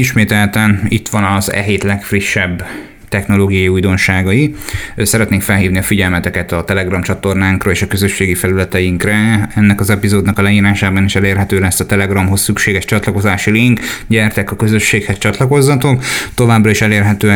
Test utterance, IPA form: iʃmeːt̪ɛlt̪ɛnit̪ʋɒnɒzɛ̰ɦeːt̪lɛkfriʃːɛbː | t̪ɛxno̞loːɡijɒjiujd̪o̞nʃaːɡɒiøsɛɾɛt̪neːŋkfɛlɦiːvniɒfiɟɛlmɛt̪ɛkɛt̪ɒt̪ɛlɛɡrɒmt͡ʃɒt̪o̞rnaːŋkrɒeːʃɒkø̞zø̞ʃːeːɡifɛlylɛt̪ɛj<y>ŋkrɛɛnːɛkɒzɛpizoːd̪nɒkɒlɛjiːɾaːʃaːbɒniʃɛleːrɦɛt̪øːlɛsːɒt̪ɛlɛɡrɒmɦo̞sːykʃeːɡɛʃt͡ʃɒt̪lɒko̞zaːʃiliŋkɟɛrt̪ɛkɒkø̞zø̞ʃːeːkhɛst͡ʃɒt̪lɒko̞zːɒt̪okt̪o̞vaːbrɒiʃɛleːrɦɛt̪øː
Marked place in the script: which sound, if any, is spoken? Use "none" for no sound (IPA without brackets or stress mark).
i